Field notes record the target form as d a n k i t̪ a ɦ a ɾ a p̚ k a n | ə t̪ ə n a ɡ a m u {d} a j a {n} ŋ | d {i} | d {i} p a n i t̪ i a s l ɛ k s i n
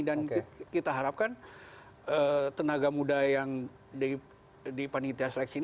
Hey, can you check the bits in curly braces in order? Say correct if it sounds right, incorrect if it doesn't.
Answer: correct, incorrect: none, correct, correct

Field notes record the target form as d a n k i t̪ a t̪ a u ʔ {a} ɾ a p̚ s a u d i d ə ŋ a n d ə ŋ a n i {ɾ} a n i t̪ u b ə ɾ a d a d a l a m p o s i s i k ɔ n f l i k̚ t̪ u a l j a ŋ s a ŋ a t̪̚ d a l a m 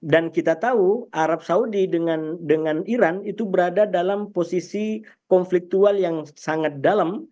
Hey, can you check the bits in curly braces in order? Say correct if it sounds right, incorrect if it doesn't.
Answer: correct, correct

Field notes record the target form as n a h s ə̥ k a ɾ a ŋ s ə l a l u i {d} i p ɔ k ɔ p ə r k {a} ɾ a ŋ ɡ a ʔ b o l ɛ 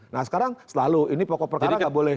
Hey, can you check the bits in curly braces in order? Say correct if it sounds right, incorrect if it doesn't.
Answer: incorrect: n, correct

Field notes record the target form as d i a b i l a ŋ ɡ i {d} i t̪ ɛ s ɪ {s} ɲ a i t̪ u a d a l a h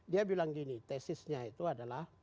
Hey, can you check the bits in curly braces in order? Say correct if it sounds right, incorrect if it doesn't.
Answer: incorrect: n, correct

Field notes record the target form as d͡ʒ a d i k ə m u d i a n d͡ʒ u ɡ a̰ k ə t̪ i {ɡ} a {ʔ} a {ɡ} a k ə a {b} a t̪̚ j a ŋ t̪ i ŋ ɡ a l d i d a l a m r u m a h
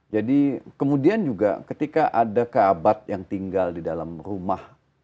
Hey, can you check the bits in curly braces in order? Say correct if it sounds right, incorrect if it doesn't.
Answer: incorrect: k, correct, incorrect: d, correct

